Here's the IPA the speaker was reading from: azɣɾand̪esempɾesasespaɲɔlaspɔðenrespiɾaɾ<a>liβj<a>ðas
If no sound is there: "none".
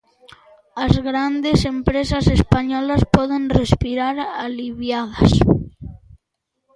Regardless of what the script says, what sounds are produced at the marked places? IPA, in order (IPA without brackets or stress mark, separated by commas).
a, a